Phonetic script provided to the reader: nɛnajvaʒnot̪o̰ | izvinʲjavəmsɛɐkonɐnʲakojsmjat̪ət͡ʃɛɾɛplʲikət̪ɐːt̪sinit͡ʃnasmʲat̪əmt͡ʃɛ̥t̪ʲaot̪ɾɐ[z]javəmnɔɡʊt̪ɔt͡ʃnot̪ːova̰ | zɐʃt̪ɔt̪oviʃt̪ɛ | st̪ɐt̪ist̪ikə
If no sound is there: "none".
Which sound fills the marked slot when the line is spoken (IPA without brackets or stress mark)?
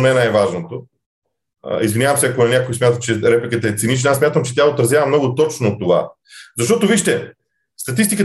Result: z